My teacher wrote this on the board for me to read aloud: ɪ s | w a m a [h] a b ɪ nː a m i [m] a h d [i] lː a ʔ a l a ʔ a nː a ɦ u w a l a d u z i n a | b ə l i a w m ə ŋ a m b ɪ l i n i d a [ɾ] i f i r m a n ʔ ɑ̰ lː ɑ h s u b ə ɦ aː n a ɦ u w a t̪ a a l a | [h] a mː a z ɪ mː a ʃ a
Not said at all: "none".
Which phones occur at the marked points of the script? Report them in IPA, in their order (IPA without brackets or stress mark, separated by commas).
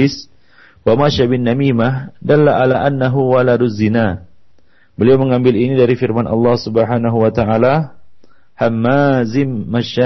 ʃ, m, a, ɾ, h